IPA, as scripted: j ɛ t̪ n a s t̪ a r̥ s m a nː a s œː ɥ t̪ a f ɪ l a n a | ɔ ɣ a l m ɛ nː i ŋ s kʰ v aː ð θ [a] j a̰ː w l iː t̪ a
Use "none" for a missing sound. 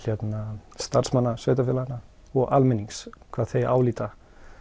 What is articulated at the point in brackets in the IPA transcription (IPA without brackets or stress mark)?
e